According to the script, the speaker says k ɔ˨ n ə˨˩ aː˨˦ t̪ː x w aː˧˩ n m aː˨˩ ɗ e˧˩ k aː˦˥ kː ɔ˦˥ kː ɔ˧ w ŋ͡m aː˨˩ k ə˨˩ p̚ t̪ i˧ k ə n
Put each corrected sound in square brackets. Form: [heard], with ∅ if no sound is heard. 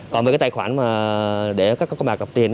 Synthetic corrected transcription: k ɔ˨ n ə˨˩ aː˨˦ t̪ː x w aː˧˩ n m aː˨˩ ɗ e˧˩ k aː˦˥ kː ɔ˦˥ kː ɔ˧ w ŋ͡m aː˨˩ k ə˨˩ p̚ t̪ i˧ [∅] ə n